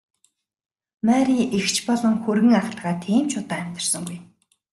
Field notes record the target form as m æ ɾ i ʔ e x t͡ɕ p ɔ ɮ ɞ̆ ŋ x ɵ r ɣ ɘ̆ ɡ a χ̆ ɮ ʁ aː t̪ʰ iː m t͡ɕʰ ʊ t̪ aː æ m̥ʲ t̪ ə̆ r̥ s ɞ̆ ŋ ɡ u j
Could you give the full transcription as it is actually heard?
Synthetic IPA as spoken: m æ ɾ i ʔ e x t͡ɕ p ɔ ɮ ɞ̆ ŋ x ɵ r ɣ ɘ̆ ŋ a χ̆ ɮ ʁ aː t̪ʰ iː m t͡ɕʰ ʊ t̪ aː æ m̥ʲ t̪ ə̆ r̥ s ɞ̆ ŋ ɡ u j